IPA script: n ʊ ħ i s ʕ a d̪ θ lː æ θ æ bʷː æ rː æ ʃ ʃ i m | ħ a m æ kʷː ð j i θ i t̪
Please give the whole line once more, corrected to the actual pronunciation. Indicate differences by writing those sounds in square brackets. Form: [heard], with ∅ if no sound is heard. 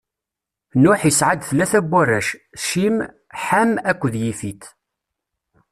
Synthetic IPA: n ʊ ħ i s ʕ a d̪ θ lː æ θ æ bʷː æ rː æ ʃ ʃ i m | ħ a m æ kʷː ð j i [f] i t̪